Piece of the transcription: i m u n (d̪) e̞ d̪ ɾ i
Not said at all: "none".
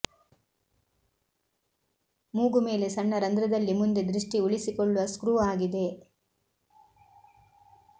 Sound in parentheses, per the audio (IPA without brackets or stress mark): d̪